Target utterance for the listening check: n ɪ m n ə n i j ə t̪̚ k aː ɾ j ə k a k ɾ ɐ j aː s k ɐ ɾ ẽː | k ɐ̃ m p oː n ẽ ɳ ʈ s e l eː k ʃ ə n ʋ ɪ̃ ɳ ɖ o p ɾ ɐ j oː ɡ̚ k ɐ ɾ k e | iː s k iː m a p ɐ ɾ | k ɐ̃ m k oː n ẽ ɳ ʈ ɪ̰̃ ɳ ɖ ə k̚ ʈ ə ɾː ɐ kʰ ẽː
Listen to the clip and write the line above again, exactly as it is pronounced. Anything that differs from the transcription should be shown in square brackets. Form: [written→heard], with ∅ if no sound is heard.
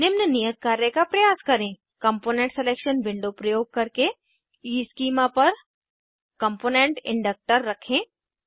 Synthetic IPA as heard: n ɪ m n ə n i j ə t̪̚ k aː ɾ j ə k a [k→p] ɾ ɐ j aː s k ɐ ɾ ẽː | k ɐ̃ m p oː n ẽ ɳ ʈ s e l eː k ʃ ə n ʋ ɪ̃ ɳ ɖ o p ɾ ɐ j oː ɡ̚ k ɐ ɾ k e | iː s k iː m a p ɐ ɾ | k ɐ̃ m [k→p] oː n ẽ ɳ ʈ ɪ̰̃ ɳ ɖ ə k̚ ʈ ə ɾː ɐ kʰ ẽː